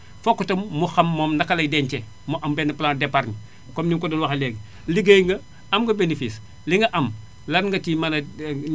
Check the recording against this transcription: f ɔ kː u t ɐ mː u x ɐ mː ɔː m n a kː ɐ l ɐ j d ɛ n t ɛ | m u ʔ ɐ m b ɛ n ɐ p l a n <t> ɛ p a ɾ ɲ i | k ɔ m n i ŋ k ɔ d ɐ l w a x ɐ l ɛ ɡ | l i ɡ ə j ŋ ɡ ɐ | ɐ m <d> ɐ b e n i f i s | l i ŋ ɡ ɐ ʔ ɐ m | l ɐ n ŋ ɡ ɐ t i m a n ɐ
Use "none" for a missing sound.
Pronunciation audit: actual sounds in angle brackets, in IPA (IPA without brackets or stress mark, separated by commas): d, ɡ